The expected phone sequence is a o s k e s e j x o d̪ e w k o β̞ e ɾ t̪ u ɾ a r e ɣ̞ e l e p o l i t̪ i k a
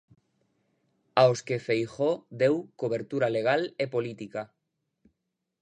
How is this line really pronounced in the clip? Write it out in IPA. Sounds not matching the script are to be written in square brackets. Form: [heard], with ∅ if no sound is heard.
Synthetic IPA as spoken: a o s k e [f] e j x o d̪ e w k o β̞ e ɾ t̪ u ɾ a [l] e ɣ̞ [a] l e p o l i t̪ i k a